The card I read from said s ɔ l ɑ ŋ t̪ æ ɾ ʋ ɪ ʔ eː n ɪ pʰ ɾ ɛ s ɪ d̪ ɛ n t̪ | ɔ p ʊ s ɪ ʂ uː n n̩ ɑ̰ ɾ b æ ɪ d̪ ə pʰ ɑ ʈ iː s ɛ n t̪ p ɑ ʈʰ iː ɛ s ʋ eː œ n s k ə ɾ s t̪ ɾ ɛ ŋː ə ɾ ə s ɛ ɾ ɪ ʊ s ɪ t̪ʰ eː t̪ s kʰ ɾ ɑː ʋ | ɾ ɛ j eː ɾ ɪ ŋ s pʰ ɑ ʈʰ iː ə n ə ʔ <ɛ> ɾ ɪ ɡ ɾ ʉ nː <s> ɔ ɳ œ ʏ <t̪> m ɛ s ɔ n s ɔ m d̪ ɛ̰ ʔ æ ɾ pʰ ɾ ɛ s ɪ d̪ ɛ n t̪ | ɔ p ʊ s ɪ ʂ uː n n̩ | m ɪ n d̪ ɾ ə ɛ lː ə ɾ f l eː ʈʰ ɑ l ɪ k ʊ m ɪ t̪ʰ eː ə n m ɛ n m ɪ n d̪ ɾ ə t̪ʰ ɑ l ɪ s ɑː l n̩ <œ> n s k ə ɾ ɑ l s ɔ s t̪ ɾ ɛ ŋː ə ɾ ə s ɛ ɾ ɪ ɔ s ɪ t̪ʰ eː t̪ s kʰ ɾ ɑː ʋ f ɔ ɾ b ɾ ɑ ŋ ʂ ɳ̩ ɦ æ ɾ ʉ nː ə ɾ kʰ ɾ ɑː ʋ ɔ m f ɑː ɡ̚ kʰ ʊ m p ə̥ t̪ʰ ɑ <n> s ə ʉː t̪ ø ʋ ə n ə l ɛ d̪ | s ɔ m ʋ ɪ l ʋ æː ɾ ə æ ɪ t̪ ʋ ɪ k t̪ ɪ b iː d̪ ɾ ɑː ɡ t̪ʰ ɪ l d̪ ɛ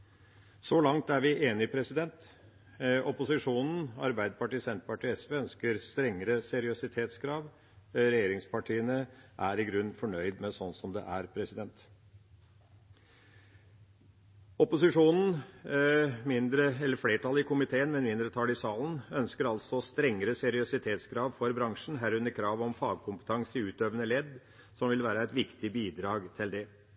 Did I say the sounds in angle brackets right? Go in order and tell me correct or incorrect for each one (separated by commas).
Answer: incorrect, incorrect, incorrect, correct, incorrect